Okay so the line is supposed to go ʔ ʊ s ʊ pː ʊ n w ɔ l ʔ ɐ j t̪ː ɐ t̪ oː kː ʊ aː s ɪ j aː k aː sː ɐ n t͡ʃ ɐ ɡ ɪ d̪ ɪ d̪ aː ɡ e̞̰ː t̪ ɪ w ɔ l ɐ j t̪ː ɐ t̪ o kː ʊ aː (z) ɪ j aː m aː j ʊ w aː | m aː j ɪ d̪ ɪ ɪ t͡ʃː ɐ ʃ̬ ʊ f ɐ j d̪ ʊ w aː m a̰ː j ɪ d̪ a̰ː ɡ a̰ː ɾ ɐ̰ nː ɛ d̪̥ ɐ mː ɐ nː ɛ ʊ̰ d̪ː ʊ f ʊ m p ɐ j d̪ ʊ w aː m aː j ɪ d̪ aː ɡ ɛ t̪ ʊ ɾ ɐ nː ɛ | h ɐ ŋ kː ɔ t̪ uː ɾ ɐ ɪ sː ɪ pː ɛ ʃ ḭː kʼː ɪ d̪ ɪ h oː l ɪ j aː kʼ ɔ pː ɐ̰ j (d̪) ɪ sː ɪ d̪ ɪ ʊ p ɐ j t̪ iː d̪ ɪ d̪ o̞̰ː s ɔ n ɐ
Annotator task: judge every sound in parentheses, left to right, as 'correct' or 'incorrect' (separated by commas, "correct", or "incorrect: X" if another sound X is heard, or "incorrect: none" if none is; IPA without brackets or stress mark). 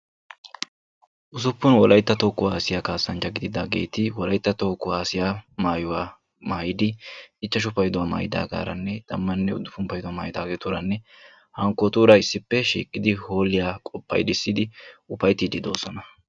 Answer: incorrect: s, correct